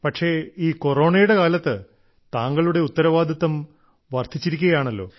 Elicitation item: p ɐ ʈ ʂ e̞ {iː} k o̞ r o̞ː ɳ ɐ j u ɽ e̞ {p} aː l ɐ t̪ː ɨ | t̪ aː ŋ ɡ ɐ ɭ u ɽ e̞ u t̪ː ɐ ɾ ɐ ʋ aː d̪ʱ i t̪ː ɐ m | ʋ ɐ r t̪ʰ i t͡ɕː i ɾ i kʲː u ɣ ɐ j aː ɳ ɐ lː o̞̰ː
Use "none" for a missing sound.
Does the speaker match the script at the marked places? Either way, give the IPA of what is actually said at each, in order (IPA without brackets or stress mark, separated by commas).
iː, k